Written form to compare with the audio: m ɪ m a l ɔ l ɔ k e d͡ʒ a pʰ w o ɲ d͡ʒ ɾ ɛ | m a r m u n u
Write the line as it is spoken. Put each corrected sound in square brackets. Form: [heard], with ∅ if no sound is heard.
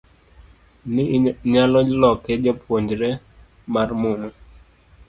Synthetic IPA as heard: [n] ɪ [ɲ] a l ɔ l ɔ k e d͡ʒ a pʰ w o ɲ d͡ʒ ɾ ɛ | m a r m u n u